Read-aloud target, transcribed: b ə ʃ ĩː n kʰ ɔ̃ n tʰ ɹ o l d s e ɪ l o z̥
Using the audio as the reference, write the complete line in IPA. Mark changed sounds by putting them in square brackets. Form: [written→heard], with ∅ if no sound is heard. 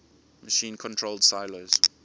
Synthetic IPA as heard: [b→m] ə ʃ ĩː n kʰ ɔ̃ n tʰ ɹ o l d s [e→a] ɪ l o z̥